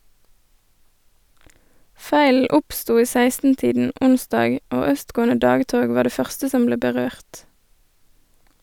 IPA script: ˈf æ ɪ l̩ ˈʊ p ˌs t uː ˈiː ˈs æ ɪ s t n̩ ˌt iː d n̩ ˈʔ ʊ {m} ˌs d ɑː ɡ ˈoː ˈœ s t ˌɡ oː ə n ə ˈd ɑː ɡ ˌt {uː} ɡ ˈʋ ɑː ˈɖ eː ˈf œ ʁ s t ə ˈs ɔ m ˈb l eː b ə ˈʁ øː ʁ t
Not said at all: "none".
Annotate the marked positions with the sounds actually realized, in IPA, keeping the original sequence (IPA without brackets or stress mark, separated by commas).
n, oː